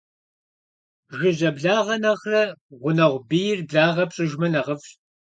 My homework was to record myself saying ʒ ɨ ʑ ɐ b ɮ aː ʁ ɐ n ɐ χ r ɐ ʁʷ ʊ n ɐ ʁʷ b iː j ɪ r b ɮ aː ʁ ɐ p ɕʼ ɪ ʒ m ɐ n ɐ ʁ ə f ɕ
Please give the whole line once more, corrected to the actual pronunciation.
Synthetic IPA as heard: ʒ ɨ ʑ ɐ b ɮ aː ʁ ɐ n ɐ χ r ɐ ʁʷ ʊ n ɐ ʁʷ b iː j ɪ r b ɮ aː ʁ ɐ p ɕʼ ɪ ʒ m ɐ n ɐ ʁ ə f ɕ